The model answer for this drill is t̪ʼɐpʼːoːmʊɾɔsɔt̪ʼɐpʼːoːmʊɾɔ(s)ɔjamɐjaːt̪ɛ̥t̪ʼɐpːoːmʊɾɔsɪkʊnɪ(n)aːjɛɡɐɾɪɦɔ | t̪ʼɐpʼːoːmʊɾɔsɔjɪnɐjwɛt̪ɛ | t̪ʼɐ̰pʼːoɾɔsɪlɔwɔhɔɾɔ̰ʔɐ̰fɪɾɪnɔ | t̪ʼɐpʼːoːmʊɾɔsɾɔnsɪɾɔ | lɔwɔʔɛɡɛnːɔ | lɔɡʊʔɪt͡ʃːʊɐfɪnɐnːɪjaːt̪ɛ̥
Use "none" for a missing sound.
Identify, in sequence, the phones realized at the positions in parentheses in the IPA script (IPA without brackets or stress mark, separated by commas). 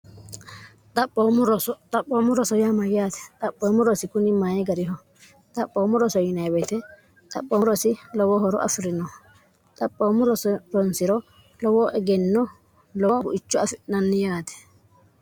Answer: s, m